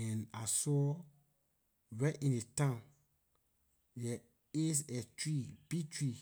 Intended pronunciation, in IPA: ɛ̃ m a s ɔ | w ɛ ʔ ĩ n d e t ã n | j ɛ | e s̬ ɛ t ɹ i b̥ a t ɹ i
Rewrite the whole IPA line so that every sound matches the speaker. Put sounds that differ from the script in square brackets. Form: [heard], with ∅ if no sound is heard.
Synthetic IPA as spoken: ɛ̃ [n] a s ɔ | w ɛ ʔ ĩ n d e t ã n | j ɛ | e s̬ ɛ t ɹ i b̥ [i] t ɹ i